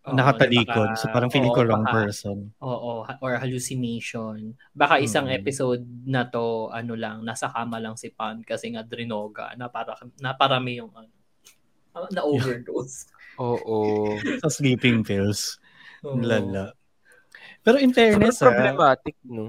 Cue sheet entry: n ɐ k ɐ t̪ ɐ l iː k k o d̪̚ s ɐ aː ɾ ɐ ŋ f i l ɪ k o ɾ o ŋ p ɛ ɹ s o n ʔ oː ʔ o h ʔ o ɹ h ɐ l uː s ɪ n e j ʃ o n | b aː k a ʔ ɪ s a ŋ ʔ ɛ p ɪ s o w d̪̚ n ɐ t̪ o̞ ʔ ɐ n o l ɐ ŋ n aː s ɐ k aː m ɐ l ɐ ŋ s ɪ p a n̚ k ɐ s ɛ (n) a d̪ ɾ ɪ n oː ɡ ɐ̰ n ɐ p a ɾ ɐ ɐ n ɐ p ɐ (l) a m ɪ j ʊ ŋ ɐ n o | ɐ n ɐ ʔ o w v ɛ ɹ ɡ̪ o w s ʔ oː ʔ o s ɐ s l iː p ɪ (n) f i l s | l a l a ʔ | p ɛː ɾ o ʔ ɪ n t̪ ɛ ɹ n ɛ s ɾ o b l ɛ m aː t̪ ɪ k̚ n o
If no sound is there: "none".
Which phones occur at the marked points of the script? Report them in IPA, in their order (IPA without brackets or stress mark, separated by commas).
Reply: ŋ, ɾ, ŋ